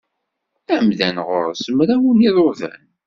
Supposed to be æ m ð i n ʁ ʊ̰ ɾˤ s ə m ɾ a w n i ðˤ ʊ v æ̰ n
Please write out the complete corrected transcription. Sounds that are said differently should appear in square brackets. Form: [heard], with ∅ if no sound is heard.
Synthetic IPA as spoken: æ m ð [æ] n ʁ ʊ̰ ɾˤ s ə m ɾ a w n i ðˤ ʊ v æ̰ n